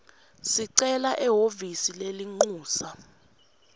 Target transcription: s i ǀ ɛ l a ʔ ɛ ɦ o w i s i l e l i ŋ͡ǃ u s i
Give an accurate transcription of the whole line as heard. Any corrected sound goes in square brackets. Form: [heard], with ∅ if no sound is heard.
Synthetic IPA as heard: s i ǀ ɛ l a ʔ ɛ ɦ o [v] i s i l e l i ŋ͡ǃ [uː] s [a]